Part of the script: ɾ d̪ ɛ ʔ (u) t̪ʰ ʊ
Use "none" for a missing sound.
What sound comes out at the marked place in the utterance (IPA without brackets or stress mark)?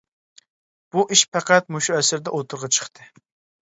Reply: o